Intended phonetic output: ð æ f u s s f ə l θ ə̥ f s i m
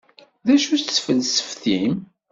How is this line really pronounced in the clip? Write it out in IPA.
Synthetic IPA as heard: ð æ ʃ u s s f ə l s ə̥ f θ i m